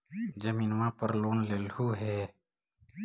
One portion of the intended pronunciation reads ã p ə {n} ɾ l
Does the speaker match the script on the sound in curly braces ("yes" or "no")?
no